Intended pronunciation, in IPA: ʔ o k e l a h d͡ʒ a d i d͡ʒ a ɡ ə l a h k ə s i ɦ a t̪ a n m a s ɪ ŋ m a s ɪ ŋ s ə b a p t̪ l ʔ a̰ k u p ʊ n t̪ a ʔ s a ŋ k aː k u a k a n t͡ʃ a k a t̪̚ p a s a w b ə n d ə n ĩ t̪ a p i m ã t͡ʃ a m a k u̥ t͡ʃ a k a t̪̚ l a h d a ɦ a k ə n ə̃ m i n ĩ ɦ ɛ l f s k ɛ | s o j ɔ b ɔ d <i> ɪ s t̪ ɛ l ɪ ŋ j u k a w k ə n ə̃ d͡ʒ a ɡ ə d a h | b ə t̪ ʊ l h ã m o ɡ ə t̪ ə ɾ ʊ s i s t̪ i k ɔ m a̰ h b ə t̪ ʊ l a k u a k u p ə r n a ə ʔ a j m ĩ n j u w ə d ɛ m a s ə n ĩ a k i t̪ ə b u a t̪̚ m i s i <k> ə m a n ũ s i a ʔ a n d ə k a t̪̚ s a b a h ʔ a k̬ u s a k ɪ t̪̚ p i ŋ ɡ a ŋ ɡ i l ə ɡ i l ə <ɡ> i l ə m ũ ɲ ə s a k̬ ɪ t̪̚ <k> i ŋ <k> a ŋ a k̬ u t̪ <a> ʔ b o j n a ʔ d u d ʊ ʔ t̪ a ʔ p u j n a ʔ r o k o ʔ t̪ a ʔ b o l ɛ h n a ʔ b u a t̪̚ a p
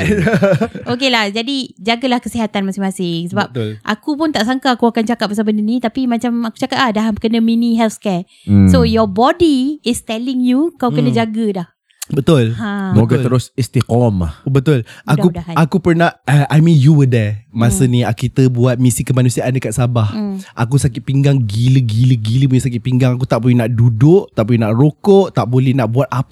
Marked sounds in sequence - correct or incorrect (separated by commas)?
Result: correct, correct, correct, incorrect, incorrect, correct